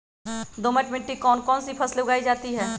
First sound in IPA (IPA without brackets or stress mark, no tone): d̪